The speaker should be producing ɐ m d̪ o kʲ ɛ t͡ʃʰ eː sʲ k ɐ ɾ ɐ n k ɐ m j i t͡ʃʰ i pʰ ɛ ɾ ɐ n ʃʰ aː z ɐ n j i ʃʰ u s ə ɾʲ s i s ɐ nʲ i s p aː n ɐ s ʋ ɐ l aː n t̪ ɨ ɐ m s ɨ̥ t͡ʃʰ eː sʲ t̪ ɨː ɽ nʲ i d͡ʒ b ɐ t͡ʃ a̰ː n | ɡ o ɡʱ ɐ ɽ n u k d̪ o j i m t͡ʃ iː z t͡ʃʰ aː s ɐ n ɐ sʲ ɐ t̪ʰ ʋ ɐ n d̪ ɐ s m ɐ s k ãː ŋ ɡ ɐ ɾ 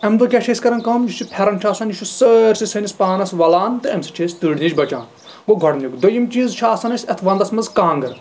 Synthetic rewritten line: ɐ m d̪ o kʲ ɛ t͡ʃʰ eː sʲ k ɐ ɾ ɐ n k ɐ m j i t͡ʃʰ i pʰ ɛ ɾ ɐ n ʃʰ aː s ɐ n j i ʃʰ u s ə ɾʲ s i s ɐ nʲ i s p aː n ɐ s ʋ ɐ l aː n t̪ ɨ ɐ m s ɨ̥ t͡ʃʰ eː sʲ t̪ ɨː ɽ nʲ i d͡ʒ b ɐ t͡ʃ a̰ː n | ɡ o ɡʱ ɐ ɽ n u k d̪ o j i m t͡ʃ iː z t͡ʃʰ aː s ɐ n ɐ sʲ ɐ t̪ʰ ʋ ɐ n d̪ ɐ s m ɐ z k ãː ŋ ɡ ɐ ɾ